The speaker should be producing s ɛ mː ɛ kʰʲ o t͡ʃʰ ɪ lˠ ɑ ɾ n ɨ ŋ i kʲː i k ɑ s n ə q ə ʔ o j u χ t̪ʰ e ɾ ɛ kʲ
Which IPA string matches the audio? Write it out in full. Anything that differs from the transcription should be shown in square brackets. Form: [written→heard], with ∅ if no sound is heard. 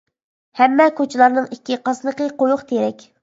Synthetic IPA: [s→h] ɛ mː ɛ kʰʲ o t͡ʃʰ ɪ lˠ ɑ ɾ n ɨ ŋ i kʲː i [k→q] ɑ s n ə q ə [ʔ→q] o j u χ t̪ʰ e ɾ ɛ kʲ